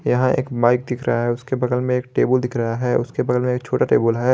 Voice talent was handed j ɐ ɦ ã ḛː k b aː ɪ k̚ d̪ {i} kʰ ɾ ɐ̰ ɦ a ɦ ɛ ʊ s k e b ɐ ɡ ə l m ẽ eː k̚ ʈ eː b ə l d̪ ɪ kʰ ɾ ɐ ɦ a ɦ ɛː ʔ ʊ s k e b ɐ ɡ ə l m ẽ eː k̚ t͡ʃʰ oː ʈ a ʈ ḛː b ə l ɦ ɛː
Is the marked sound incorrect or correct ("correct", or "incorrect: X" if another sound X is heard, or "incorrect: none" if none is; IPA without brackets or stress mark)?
incorrect: ɪ